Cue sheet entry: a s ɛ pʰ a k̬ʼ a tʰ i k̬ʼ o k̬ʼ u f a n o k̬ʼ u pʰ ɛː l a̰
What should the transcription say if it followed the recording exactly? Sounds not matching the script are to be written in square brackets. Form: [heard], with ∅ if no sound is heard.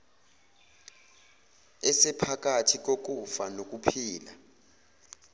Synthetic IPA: [ɛ] s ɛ pʰ a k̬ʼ a tʰ i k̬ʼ o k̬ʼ u f a n o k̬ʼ u pʰ [iː] l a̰

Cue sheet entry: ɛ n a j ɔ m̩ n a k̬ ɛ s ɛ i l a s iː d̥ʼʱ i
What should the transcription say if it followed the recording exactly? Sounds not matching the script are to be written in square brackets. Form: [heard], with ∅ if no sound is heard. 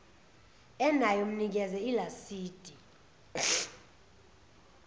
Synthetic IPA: ɛ n a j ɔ m̩ n [i] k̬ ɛ [z] ɛ i l a s iː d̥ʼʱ i

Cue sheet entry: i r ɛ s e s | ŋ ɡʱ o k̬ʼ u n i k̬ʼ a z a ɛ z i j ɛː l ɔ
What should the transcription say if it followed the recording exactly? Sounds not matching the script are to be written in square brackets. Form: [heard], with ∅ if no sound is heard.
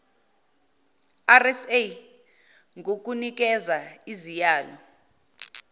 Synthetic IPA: [a] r ɛ s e [∅] | ŋ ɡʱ o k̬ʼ u n i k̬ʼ [ɛ] z a [i] z i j [aː] l ɔ

